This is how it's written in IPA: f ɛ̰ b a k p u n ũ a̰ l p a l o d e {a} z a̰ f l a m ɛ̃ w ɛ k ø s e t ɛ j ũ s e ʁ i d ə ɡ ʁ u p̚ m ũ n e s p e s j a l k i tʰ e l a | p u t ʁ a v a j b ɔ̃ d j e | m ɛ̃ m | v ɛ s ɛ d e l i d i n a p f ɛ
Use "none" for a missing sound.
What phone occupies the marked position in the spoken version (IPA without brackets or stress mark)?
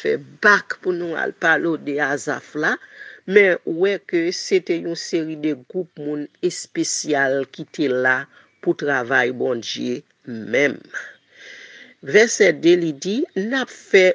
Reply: a